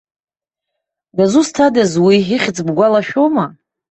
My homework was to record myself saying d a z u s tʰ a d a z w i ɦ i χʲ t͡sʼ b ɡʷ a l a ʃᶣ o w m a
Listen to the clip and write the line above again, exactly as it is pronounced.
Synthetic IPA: d a z u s tʰ a d a z w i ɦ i χʲ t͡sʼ b ɡʷ a l a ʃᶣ o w m a